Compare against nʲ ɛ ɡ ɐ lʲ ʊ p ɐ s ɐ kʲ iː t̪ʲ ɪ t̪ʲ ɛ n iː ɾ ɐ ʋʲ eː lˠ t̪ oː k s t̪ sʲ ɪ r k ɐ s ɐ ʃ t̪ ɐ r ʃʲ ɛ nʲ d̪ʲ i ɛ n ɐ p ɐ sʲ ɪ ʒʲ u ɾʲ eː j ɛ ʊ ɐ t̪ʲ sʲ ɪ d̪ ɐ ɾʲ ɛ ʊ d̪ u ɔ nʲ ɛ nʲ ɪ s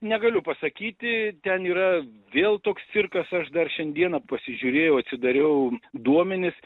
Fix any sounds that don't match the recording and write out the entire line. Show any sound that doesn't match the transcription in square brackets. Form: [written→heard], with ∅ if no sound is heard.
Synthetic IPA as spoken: nʲ ɛ ɡ ɐ lʲ ʊ p ɐ s ɐ kʲ iː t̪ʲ ɪ t̪ʲ ɛ n iː ɾ ɐ ʋʲ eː lˠ t̪ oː k s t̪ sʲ ɪ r k ɐ s ɐ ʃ [t̪→d̪] ɐ r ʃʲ ɛ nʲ d̪ʲ i ɛ n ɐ p ɐ sʲ ɪ ʒʲ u ɾʲ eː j ɛ ʊ ɐ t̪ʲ sʲ ɪ d̪ ɐ ɾʲ ɛ ʊ d̪ u ɔ [nʲ→mʲ] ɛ nʲ ɪ s